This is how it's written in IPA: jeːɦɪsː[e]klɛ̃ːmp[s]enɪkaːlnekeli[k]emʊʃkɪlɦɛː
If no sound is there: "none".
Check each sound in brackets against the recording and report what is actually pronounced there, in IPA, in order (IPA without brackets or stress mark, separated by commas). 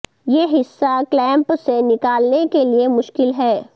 a, s, none